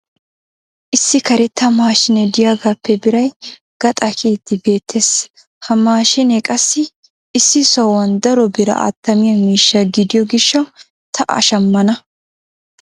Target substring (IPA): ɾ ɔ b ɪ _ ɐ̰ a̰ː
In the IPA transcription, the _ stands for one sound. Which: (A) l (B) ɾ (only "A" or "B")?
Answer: B